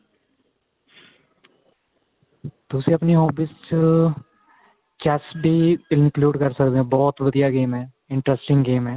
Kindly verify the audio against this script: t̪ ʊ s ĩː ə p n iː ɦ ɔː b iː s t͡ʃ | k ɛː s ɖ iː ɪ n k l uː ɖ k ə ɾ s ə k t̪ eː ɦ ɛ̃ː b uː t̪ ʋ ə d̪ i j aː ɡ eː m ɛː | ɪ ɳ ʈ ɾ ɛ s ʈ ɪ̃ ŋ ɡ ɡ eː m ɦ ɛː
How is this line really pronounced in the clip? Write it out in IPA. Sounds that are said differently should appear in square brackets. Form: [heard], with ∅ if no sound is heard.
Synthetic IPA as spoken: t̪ ʊ s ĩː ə p n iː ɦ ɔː b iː s t͡ʃ | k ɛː s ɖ iː ɪ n k l uː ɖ k ə ɾ s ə k [d̪] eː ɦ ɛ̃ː b [ɔː] t̪ ʋ ə d̪ i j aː ɡ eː m ɛː | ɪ ɳ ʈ ɾ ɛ s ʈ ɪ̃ ŋ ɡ ɡ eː m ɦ ɛː